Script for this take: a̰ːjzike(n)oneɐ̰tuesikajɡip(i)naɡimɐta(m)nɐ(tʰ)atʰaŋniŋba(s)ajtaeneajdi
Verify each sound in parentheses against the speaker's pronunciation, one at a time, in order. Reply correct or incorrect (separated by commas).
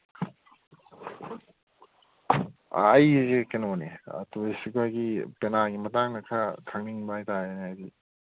correct, incorrect, incorrect, incorrect, incorrect